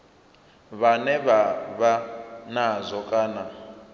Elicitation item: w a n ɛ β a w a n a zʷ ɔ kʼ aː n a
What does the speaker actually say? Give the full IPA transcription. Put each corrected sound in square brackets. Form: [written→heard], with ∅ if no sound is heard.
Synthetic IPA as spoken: [w→β] a n ɛ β a [w→β] a n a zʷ ɔ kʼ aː n a